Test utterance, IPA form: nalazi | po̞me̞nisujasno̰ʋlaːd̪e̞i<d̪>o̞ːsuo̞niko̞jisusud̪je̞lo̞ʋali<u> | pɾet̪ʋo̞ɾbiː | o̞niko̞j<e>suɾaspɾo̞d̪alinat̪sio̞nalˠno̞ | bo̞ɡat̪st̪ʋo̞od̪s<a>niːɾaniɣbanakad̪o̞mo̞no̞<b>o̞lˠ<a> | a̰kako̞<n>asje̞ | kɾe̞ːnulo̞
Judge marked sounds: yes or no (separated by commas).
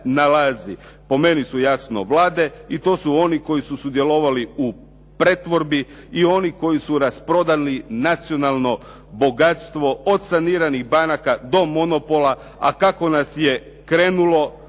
no, yes, no, yes, no, yes, yes